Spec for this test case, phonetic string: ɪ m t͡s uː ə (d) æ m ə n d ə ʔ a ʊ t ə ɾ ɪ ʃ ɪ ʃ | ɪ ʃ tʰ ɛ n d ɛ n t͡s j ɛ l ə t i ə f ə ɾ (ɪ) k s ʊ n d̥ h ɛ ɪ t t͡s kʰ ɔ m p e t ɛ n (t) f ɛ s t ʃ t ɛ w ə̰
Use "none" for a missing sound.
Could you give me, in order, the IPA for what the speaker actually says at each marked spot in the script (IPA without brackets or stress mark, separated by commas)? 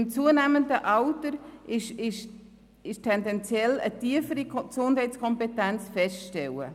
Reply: n, i, t͡s